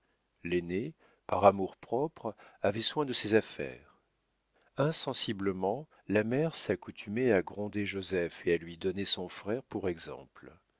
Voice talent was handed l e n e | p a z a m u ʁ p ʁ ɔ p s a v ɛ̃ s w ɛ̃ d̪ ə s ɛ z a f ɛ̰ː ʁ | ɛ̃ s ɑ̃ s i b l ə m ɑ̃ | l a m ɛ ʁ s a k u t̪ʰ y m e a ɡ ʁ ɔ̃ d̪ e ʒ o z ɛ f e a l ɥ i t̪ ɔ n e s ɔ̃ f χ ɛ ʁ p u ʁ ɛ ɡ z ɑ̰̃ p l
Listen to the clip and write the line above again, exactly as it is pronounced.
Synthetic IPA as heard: l e n e | p a ʁ a m u ʁ p χ ɔ p χ a v ɛ s w ɛ̃ d̪ ə s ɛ z a f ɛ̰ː ʁ | ɛ̃ s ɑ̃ s i b l ə m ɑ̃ | l a m ɛ ʁ s a k u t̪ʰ y m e a ɡ ʁ ɔ̃ d̪ e ʒ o z ɛ f e a l ɥ i d̪ ɔ n e s ɔ̃ f χ ɛ ʁ p u ʁ ɛ ɡ z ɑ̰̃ p l